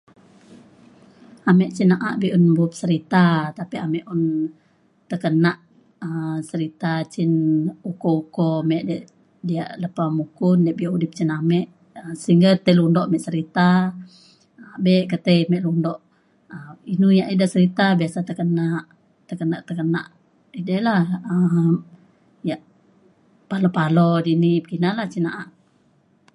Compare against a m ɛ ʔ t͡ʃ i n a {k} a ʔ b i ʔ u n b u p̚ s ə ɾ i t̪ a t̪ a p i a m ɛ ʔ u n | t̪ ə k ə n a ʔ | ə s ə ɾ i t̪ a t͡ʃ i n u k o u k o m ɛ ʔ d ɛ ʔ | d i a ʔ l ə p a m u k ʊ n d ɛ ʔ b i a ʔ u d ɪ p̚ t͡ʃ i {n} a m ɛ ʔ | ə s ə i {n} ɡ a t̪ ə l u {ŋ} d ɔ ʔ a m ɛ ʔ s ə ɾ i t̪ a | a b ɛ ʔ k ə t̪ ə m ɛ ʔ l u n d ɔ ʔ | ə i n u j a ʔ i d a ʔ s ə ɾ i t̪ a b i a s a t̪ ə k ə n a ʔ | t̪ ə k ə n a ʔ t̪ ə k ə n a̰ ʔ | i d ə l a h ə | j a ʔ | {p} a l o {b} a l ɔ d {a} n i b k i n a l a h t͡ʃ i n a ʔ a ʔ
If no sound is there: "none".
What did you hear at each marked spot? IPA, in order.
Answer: ʔ, n, ŋ, n, p, p, i

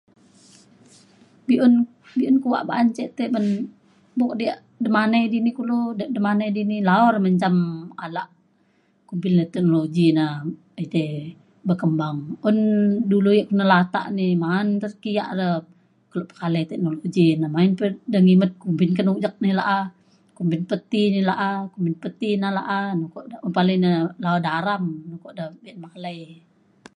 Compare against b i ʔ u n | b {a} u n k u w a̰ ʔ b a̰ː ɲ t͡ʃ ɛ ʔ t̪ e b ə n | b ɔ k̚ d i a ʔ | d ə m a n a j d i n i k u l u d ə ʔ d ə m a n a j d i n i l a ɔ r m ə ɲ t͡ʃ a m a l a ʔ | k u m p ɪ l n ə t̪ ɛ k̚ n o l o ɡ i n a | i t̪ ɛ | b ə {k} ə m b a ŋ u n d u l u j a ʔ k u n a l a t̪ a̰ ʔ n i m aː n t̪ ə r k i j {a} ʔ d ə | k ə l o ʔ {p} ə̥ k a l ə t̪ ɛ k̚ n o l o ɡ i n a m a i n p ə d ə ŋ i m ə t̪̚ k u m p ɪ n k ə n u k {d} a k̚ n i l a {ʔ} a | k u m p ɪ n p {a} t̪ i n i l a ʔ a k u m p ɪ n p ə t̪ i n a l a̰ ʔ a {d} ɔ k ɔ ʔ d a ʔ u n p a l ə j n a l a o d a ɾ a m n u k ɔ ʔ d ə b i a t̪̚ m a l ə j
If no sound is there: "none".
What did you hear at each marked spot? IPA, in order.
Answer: i, k, a, p, d͡ʒ, ʔ, ə, n

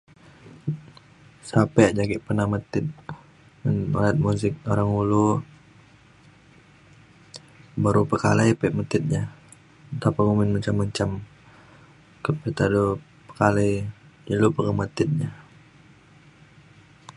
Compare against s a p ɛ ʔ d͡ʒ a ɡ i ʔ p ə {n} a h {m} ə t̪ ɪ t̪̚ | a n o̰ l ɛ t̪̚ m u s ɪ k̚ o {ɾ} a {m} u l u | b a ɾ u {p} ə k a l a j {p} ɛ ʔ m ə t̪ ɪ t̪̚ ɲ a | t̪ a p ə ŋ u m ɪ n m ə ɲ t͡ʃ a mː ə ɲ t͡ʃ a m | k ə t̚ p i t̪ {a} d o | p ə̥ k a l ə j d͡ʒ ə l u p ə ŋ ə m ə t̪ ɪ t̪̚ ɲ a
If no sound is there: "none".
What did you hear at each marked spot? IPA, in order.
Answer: n, m, ɾ, ŋ, p, p, a

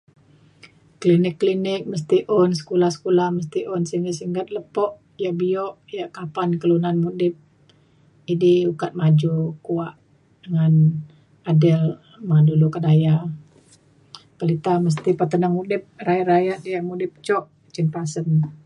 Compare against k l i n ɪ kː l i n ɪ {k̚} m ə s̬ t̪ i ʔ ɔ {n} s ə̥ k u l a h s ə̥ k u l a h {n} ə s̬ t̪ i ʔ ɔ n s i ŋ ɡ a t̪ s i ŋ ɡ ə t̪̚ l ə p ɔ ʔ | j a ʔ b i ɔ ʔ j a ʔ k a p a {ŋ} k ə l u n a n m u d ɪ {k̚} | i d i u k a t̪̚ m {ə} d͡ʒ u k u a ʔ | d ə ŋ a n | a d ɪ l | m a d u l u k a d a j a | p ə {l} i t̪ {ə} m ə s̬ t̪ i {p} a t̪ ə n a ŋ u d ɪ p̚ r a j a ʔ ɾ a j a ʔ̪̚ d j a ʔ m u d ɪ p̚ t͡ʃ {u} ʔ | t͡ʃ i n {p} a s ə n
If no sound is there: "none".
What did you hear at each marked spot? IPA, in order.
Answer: k̚, n, m, n, p̚, a, l, a, p, ɔ, p

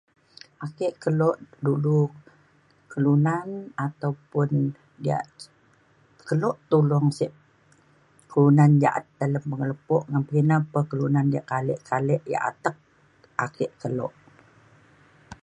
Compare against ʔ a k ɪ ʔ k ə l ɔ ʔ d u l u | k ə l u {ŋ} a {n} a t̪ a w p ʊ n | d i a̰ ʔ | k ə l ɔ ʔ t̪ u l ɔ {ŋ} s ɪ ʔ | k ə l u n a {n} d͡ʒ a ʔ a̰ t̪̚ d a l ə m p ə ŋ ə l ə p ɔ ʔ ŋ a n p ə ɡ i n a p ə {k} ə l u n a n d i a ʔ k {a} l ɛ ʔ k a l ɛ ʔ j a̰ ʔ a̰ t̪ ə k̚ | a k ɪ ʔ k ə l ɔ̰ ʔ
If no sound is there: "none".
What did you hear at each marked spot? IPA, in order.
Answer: n, n, ŋ, n, k, a

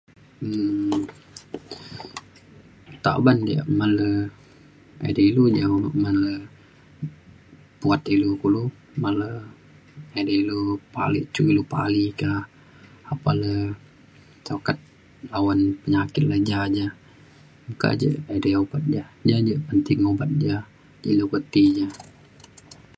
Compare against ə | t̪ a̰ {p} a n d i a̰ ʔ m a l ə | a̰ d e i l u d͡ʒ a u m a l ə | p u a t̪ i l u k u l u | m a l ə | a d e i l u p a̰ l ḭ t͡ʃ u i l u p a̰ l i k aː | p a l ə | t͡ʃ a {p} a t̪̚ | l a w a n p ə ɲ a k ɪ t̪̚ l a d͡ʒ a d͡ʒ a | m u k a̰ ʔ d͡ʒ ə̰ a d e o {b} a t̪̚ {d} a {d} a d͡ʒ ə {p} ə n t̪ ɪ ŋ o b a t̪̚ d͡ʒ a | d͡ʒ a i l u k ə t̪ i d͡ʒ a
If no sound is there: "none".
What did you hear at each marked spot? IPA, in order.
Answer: b, k, b, d͡ʒ, d͡ʒ, p

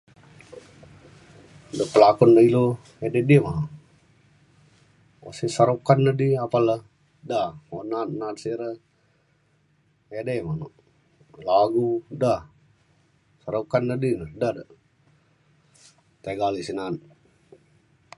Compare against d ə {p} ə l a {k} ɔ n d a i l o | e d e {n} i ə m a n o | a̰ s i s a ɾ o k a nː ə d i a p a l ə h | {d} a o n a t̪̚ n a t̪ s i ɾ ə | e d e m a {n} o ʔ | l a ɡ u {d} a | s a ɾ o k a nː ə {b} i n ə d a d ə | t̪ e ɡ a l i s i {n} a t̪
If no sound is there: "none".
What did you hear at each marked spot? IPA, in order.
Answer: p, k, d, d, n, d, d, n

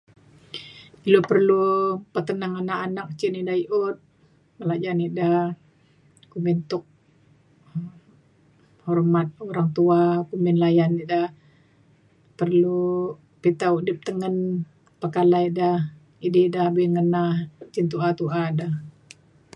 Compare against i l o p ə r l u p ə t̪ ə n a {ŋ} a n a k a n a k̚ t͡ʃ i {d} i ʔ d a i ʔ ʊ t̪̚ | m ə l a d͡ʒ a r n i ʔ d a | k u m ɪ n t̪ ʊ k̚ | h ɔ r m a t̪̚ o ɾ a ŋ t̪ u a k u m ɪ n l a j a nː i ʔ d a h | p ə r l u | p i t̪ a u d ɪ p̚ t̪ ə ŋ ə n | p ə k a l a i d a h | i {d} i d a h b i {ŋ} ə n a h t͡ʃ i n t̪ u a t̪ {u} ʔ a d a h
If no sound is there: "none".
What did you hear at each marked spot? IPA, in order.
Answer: ŋ, n, d, ŋ, u

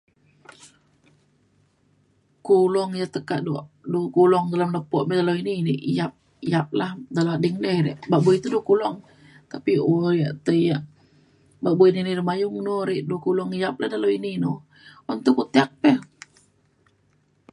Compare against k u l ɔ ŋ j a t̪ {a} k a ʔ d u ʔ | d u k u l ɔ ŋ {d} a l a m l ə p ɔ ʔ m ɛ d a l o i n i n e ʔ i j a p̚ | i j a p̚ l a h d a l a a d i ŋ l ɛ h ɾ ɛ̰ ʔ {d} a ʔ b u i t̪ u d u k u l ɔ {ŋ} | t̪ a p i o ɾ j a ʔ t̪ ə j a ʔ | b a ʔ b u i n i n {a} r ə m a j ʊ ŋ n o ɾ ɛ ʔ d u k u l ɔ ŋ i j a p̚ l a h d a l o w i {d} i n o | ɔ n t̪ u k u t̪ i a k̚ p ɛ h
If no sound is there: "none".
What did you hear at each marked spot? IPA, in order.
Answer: ə, d, b, ŋ, i, n

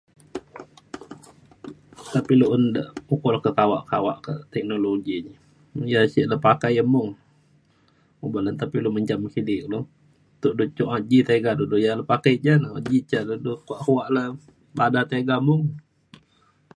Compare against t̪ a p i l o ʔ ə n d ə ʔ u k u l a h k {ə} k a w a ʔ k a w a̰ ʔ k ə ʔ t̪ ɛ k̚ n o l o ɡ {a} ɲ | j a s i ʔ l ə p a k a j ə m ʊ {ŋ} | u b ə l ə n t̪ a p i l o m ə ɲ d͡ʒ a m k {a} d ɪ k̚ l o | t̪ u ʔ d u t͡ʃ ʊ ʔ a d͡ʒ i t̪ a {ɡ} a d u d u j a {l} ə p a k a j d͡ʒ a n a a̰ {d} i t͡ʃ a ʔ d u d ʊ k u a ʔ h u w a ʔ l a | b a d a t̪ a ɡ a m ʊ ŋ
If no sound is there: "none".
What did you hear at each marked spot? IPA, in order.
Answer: ə, i, ŋ, i, ɡ, l, d͡ʒ

